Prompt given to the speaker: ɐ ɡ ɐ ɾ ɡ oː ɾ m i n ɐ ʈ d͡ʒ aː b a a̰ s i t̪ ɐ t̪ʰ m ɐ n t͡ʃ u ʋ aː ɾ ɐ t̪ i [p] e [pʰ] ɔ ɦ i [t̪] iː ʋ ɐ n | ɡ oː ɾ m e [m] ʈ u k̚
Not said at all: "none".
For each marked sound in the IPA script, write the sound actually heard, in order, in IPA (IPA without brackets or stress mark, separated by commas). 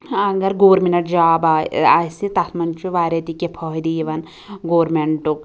k, pʰ, d̪, ɳ